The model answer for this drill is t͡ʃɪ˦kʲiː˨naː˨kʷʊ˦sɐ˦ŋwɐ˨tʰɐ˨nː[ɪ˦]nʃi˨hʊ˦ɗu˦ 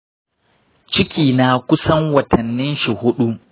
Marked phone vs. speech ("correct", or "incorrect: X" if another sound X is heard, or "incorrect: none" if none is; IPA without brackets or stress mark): correct